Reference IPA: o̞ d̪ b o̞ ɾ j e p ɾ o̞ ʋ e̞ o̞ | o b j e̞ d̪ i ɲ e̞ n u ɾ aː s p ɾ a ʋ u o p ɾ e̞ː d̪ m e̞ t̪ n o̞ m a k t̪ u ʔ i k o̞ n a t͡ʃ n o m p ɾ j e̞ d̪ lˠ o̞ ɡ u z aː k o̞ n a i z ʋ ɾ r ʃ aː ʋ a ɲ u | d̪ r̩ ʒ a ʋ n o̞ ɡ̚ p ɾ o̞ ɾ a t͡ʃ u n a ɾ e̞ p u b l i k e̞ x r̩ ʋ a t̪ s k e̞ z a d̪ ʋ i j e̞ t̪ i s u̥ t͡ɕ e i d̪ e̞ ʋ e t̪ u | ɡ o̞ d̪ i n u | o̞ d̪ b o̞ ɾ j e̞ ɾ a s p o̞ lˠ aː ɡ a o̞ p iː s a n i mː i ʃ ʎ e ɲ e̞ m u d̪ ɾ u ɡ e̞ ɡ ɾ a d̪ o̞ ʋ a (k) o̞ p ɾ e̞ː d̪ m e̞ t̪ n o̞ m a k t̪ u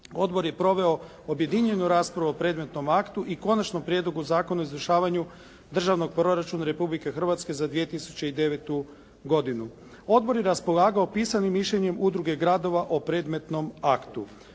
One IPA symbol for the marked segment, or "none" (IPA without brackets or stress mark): ʔ